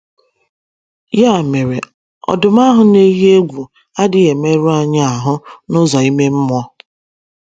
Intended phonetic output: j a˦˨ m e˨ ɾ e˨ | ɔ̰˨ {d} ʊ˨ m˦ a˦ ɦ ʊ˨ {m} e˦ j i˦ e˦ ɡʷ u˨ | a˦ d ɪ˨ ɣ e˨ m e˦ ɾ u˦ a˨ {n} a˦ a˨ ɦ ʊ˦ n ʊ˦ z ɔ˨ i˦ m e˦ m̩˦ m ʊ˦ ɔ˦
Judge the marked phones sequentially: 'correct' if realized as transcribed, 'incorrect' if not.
correct, incorrect, incorrect

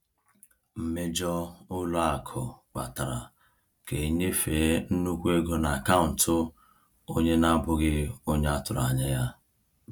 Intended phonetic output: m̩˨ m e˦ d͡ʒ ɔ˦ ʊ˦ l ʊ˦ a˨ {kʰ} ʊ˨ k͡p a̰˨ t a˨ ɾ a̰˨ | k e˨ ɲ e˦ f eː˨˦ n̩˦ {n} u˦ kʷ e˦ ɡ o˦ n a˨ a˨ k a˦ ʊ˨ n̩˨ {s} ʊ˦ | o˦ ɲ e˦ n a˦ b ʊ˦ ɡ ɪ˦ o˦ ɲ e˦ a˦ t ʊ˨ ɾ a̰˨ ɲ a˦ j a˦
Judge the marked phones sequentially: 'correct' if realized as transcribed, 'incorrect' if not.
correct, correct, incorrect

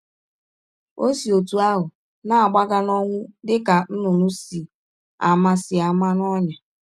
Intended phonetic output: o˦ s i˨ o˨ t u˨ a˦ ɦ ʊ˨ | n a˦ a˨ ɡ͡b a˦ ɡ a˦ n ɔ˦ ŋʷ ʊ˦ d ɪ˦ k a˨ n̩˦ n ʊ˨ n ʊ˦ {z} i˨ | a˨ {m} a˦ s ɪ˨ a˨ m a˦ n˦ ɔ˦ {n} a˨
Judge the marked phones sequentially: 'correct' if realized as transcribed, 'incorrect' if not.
incorrect, correct, incorrect

